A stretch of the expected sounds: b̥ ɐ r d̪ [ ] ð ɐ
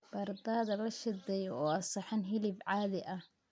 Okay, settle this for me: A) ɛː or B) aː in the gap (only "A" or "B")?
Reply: B